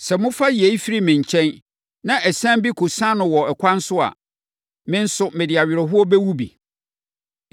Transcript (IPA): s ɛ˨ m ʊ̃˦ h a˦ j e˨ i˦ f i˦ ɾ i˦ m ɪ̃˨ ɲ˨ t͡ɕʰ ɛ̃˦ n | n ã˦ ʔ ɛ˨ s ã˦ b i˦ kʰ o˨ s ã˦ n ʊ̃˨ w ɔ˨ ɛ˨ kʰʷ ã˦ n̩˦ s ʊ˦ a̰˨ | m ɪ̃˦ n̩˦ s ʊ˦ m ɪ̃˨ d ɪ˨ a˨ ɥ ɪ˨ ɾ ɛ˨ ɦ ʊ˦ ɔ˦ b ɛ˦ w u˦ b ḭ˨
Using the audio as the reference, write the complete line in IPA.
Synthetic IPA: s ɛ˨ m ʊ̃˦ f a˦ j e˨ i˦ f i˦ ɾ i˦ m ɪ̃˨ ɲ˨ t͡ɕʰ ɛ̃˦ n | n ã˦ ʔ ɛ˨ s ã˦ b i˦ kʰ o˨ s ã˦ n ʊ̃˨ w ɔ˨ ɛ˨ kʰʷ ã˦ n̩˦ s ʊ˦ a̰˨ | m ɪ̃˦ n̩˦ s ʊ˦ m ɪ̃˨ d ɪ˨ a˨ ɥ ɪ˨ ɾ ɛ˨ ɦ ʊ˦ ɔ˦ b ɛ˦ w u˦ b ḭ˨